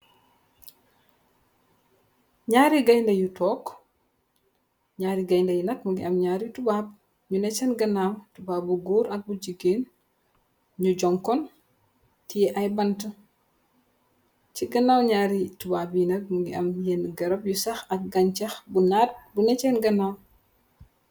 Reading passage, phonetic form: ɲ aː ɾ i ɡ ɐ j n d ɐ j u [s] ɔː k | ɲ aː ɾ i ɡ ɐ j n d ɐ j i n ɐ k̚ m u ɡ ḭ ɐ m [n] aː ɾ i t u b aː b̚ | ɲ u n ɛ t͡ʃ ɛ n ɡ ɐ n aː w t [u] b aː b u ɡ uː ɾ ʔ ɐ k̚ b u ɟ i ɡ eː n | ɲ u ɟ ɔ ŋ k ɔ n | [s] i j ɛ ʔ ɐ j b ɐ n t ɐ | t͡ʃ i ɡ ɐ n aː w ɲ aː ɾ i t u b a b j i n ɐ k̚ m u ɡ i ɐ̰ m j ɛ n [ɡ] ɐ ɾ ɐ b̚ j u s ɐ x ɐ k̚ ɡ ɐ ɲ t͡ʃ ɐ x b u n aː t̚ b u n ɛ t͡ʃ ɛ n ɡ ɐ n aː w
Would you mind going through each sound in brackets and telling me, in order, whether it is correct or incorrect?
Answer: incorrect: t, incorrect: ɲ, correct, incorrect: t, correct

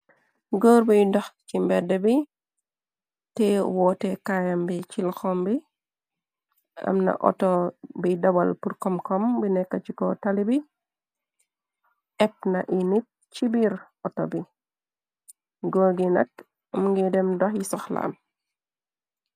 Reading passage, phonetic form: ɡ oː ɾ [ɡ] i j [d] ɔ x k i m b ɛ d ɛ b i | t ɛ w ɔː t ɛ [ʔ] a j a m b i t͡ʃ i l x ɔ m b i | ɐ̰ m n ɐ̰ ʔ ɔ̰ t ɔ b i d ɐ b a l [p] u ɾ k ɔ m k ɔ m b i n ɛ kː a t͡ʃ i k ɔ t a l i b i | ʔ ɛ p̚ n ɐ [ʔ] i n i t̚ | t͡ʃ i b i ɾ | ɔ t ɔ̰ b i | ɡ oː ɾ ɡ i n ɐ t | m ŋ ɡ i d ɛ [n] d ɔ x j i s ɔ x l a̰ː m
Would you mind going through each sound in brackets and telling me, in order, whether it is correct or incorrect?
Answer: incorrect: b, correct, incorrect: k, correct, correct, incorrect: m

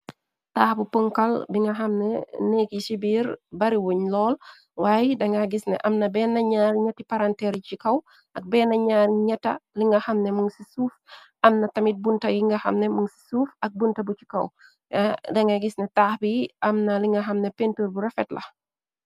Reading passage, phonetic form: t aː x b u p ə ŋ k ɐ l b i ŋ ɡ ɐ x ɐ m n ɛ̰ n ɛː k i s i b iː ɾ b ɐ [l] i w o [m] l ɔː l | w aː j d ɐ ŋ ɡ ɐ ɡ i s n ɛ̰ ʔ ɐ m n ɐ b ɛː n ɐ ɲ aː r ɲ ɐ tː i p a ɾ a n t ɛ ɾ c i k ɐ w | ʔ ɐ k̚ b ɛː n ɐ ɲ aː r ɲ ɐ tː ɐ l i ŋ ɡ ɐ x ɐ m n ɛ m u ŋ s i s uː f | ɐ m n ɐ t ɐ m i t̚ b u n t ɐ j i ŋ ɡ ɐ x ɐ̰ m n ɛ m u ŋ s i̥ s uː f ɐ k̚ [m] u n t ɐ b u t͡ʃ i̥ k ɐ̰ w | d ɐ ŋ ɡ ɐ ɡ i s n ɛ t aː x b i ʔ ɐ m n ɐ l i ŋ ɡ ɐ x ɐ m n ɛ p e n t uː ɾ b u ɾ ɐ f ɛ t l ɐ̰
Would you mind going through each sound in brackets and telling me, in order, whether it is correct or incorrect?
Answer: incorrect: ɾ, incorrect: ɲ, incorrect: b

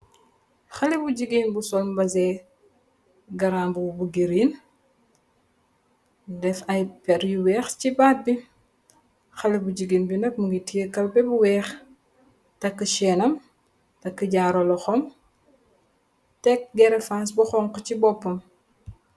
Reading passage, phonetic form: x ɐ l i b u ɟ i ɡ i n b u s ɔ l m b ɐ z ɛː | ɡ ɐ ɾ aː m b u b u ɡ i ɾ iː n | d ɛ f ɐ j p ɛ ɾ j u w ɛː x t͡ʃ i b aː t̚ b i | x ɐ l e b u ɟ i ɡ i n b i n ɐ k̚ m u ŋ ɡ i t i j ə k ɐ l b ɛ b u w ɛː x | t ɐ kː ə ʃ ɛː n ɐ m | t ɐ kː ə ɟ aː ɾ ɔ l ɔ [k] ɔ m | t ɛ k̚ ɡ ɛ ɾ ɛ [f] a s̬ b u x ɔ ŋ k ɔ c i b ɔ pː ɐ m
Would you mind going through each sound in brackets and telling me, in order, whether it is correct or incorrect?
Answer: incorrect: x, correct

